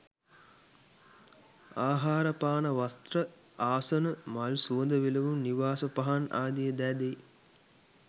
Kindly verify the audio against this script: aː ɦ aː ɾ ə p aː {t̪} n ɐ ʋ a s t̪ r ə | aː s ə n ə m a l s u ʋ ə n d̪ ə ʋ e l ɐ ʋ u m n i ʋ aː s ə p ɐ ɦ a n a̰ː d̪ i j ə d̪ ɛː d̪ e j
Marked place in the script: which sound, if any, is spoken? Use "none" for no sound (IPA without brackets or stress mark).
none